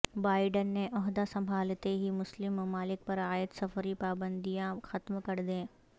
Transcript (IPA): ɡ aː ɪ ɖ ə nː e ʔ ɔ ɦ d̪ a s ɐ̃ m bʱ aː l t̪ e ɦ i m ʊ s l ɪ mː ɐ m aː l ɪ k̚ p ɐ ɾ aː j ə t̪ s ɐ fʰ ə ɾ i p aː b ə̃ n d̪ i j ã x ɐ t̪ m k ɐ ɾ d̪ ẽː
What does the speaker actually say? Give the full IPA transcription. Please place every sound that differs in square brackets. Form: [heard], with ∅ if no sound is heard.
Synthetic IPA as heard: [b] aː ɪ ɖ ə nː e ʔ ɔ ɦ d̪ a s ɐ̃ m bʱ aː l t̪ e ɦ i m ʊ s l ɪ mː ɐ m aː l ɪ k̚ p ɐ ɾ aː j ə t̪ s ɐ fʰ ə ɾ i p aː b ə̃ n d̪ i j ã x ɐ t̪ m k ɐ ɾ d̪ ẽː